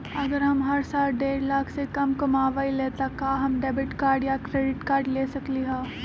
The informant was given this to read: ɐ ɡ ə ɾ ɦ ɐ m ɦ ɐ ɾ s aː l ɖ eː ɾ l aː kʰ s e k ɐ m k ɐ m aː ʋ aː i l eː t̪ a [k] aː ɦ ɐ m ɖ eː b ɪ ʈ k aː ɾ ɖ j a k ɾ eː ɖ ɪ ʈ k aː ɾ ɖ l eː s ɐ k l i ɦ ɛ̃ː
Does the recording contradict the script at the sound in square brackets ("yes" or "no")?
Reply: no